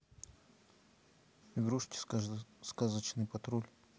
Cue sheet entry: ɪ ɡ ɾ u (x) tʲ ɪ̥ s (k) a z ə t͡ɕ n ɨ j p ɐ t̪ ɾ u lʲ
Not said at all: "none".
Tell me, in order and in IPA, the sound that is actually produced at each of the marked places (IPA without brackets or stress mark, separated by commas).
ʂ, k